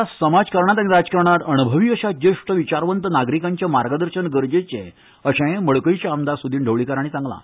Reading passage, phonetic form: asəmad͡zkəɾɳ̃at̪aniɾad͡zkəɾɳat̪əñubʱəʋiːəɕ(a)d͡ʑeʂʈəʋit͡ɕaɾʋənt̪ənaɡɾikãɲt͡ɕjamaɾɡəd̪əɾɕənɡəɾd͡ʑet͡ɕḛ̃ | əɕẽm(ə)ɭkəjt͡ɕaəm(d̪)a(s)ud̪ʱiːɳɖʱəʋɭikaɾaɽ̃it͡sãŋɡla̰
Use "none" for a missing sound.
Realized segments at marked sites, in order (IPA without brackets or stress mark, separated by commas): a, ə, d̪, s